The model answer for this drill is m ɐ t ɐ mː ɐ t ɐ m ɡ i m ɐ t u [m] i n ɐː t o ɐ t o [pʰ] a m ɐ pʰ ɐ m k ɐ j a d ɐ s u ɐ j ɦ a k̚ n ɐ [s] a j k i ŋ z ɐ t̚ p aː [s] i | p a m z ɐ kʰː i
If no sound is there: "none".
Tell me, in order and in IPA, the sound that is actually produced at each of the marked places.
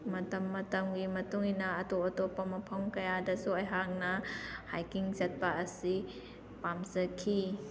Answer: ŋ, p, h, s

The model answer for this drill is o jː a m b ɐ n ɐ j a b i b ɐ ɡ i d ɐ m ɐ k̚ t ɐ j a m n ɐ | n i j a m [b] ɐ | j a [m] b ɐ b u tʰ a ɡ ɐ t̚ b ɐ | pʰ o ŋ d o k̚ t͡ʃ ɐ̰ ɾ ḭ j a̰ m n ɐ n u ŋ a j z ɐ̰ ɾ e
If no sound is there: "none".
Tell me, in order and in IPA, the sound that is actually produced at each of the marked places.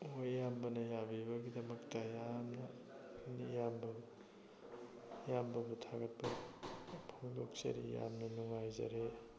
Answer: b, m

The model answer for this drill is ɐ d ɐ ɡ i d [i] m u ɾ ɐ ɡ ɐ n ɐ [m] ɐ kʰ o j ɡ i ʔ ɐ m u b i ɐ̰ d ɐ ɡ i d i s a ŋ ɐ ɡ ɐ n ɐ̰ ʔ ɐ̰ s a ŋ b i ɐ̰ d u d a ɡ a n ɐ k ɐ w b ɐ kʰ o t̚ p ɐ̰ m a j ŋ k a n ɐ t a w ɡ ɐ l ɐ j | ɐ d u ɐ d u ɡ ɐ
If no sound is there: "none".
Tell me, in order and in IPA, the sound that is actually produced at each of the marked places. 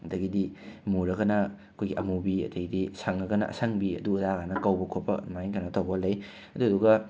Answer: i, none

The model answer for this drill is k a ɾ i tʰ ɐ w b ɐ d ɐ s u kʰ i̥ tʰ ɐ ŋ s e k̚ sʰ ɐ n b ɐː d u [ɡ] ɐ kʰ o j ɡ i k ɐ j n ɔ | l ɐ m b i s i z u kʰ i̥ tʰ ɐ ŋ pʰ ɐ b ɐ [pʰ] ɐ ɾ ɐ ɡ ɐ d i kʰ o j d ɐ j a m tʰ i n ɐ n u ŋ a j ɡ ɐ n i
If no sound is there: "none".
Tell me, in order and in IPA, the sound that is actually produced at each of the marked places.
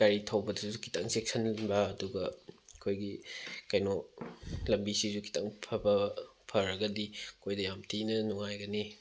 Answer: ɡ, pʰ

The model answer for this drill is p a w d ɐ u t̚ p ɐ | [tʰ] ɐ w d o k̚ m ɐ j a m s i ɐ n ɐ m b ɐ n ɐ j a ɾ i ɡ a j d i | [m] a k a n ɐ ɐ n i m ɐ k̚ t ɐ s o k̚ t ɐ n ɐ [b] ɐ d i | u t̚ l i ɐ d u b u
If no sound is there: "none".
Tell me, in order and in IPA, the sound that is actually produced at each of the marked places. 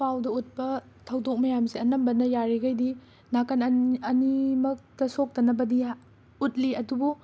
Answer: tʰ, n, b

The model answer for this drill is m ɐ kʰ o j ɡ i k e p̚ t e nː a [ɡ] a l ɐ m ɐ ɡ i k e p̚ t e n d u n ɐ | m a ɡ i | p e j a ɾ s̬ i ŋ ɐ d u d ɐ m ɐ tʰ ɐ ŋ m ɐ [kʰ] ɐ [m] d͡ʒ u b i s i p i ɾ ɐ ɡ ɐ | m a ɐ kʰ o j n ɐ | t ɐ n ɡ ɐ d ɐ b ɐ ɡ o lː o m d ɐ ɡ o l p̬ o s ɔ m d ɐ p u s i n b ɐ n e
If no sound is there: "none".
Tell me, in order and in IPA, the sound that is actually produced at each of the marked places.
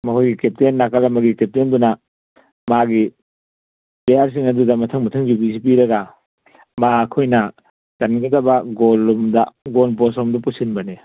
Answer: k, tʰ, ŋ

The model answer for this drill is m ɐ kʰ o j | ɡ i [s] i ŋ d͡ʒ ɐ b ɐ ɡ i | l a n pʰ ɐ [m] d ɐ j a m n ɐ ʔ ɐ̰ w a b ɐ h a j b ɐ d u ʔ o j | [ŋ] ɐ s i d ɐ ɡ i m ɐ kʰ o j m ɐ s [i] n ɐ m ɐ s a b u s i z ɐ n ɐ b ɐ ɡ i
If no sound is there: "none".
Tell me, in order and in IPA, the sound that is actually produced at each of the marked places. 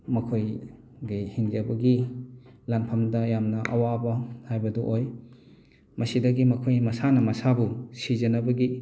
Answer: h, m, m, a

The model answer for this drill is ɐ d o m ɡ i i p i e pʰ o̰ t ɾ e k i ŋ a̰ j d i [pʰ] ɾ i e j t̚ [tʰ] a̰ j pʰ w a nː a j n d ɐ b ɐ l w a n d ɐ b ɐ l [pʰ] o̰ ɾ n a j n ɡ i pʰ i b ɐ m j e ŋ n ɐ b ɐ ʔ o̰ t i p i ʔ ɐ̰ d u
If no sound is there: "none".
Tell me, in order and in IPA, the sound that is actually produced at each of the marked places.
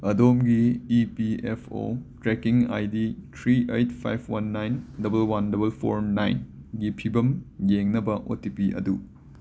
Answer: tʰ, pʰ, pʰ

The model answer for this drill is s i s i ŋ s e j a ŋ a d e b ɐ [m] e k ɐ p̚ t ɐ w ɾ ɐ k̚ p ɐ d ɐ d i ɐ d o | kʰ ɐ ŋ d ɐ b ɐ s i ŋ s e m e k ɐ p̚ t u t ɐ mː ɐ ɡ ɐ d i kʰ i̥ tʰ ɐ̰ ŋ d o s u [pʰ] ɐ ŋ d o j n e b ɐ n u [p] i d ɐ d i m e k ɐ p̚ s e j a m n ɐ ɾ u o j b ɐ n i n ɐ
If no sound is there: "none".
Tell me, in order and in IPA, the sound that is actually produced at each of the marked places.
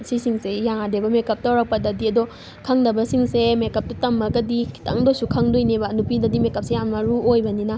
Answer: m, kʰ, p

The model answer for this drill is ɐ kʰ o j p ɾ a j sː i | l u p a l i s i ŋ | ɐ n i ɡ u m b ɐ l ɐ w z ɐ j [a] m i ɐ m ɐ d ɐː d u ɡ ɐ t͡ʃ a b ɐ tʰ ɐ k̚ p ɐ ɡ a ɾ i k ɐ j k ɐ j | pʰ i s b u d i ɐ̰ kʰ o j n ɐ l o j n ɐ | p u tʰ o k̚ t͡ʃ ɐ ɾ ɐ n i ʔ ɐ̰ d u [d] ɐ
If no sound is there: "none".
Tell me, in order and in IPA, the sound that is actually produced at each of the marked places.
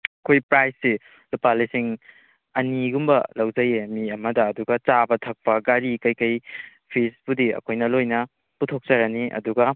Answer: e, ɡ

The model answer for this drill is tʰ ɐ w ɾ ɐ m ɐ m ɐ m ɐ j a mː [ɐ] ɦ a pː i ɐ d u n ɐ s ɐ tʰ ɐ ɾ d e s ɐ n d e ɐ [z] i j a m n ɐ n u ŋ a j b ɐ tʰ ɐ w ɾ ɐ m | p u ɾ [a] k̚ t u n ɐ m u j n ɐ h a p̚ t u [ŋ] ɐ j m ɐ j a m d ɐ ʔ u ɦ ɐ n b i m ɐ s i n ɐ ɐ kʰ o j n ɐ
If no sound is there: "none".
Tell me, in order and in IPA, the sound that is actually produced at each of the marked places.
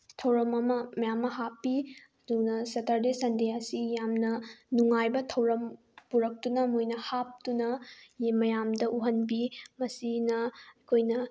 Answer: ɐ, s, ɐ, n

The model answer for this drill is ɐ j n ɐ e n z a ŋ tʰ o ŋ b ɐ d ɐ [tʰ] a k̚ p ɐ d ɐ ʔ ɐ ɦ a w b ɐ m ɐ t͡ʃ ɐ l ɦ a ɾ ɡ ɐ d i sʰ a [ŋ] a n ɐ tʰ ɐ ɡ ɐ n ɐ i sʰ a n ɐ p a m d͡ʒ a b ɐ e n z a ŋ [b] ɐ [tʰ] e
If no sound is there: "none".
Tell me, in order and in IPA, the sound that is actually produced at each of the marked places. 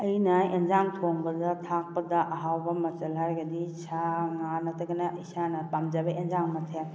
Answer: tʰ, ŋ, m, tʰ

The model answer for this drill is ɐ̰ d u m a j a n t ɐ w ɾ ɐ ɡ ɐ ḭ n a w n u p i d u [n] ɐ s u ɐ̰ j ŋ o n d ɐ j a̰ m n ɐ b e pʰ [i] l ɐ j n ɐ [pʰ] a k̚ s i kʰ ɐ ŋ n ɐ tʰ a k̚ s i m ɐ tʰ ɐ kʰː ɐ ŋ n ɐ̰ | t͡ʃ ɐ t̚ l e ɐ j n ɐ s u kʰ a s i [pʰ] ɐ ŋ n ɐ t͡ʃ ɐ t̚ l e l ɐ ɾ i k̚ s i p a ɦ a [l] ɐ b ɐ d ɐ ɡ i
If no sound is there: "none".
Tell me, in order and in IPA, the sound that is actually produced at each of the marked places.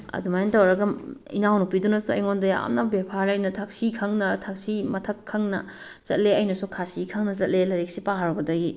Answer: n, a, tʰ, kʰ, ɾ

